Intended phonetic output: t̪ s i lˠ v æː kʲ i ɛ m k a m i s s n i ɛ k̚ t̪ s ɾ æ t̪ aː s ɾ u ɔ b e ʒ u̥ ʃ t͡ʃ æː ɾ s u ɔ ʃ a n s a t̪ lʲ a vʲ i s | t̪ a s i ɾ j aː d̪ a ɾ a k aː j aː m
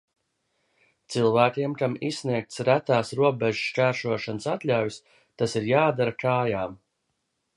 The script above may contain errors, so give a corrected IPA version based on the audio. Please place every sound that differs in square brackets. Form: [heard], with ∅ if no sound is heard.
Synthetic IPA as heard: t̪ s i lˠ v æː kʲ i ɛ m k a m i s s n i ɛ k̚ t̪ s ɾ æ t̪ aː s ɾ u ɔ b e ʒ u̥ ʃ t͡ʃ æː ɾ [ʃ] u ɔ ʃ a n s a t̪ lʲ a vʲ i s | t̪ a s i ɾ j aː d̪ a ɾ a k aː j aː m